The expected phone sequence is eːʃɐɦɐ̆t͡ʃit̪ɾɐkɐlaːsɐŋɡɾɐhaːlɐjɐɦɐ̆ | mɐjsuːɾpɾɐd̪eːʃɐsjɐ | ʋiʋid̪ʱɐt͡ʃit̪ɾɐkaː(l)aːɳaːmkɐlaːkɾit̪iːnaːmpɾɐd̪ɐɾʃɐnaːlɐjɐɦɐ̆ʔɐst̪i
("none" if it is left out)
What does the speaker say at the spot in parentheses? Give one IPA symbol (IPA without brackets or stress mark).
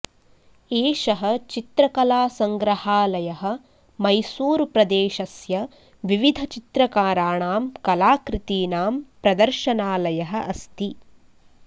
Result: ɾ